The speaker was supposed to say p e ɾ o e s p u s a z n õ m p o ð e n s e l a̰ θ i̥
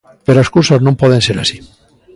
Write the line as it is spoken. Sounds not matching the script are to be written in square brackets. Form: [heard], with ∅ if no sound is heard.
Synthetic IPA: p e ɾ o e s [k] u s a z n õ m p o ð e n s e [ɾ] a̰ [s] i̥